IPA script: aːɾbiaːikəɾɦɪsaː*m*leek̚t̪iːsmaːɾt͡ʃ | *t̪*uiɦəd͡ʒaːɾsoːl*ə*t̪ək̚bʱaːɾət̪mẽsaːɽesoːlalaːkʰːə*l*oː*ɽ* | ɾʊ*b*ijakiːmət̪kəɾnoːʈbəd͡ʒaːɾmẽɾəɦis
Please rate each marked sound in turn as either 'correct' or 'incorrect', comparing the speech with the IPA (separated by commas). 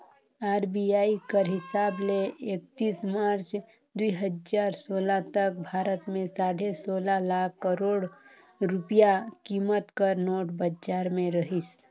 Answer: incorrect, incorrect, incorrect, incorrect, correct, incorrect